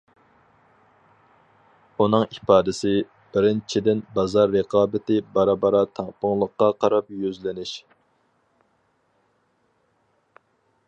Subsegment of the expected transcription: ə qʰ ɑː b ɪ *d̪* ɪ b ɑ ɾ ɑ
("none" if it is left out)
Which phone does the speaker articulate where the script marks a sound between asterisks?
t̪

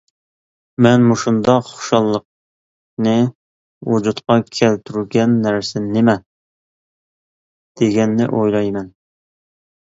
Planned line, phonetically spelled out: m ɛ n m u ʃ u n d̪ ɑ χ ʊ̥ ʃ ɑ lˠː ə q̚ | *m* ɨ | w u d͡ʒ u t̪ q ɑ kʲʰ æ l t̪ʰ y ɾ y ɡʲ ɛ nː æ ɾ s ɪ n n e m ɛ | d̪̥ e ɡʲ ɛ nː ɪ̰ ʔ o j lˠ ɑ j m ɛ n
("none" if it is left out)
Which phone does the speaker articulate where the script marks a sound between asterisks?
n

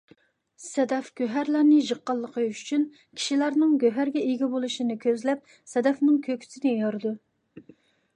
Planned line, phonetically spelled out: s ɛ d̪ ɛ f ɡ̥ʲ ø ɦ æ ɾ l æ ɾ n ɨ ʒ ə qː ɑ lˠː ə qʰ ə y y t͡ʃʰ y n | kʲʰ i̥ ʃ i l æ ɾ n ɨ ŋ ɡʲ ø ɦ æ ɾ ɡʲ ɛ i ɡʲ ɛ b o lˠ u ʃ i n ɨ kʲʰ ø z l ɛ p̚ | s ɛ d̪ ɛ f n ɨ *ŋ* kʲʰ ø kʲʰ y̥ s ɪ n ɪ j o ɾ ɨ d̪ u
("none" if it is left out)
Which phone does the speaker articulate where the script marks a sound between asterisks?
ŋ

